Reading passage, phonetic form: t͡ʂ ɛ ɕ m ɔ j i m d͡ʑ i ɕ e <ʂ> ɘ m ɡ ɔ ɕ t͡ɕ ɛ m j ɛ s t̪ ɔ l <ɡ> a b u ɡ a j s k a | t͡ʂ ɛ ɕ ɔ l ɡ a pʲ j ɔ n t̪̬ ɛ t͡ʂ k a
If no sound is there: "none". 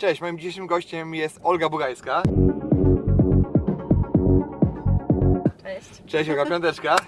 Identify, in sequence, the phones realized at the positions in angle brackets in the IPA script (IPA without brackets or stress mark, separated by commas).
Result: ʂ, ɡ